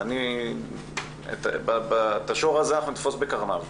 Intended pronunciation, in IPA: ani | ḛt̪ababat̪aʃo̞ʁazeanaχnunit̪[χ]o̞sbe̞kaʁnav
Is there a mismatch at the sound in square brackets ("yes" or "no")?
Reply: yes